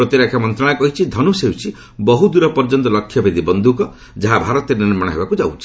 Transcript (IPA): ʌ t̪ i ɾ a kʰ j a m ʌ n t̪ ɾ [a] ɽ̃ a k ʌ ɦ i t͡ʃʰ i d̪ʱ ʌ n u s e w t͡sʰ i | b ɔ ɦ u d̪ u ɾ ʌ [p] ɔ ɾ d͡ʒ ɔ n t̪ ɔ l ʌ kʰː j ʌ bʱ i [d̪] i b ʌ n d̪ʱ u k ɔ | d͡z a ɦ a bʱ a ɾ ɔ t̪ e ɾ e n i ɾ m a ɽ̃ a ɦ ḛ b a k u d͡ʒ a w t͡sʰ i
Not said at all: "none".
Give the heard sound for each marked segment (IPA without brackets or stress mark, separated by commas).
a, p, d̪